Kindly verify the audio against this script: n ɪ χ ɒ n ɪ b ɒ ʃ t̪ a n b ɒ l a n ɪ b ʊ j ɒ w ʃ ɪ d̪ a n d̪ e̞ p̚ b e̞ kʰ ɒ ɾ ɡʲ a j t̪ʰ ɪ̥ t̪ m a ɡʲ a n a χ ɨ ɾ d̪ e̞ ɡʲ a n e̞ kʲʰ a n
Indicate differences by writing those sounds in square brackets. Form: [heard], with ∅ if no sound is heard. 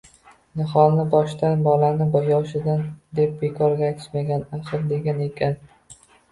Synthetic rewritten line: n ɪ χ ɒ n ɪ b ɒ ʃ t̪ a n b ɒ l a n ɪ b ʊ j ɒ w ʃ ɪ d̪ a n d̪ e̞ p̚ b e̞ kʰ ɒ ɾ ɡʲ a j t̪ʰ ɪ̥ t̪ m a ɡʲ a n a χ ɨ ɾ d̪ e̞ ɡʲ a n e̞ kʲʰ a n